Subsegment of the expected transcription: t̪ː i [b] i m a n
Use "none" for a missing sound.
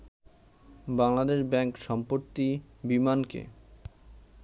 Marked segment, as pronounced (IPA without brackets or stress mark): b